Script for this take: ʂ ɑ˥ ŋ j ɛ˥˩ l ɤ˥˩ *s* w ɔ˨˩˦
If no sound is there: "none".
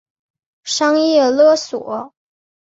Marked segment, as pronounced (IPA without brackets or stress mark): s